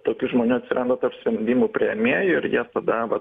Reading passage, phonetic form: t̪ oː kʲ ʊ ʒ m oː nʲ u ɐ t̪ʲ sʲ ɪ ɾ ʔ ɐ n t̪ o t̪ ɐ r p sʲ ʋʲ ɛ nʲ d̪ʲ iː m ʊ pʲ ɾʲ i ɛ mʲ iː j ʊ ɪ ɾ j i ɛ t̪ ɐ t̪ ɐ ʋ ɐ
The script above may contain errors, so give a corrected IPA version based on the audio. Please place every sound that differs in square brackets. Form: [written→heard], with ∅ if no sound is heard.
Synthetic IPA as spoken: t̪ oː kʲ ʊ ʒ m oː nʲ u ɐ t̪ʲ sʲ ɪ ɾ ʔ ɐ n [t̪→d̪] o t̪ ɐ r p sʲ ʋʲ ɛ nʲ d̪ʲ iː m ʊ pʲ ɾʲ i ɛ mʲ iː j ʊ ɪ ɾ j i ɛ t̪ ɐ [t̪→d̪] ɐ ʋ ɐ